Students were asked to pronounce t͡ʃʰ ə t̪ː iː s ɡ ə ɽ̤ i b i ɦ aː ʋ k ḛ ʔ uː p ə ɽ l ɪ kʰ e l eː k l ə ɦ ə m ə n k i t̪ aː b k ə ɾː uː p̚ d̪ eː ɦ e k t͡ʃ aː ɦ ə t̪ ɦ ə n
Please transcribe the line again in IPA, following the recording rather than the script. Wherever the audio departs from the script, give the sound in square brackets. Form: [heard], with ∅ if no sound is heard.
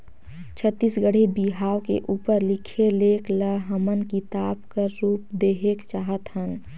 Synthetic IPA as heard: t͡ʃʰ ə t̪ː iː s ɡ ə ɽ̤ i b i ɦ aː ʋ k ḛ ʔ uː p ə [ɾ] l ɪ kʰ e l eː k l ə ɦ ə m ə n k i t̪ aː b k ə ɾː uː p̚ d̪ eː ɦ e k t͡ʃ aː ɦ ə t̪ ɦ ə n